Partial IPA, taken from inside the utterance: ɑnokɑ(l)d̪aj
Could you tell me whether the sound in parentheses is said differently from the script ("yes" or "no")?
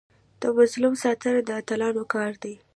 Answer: yes